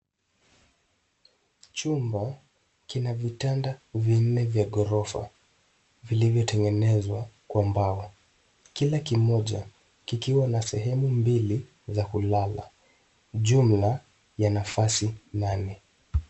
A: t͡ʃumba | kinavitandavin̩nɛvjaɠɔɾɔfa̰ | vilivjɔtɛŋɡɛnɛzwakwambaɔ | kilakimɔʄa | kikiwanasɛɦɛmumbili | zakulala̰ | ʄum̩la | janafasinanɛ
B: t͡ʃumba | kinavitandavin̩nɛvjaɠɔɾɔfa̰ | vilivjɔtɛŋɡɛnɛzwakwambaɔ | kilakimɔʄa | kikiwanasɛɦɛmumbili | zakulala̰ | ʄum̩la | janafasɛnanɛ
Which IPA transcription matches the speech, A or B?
A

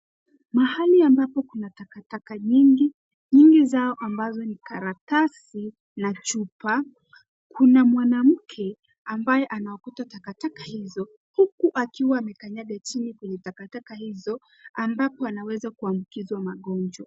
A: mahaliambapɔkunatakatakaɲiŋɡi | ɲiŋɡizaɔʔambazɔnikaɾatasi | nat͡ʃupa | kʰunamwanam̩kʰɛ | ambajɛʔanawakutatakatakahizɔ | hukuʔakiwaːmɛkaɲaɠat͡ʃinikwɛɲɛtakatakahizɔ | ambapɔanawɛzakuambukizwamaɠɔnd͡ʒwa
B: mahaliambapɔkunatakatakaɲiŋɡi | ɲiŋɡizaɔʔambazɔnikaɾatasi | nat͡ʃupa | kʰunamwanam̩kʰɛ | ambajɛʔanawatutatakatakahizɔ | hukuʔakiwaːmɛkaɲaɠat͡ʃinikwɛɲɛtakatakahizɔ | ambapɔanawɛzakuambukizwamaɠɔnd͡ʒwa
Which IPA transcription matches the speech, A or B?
A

